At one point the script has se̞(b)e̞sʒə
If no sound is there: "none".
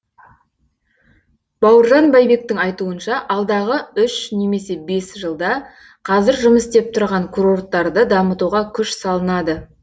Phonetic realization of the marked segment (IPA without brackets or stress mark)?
b